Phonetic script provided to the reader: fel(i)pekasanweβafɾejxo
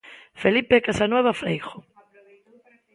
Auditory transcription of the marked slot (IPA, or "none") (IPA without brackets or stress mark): i